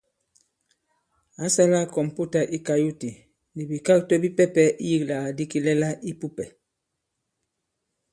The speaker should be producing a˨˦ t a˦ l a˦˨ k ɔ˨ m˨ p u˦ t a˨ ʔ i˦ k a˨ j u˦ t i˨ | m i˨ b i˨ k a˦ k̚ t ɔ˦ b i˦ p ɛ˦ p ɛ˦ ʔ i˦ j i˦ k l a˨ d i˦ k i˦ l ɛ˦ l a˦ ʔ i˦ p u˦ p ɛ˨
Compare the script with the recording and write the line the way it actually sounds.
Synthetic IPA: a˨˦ s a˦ l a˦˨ k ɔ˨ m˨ p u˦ t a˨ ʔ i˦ k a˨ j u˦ t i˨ | n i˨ b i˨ k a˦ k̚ t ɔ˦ b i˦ p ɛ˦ p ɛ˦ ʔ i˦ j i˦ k l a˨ d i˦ k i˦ l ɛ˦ l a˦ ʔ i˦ p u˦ p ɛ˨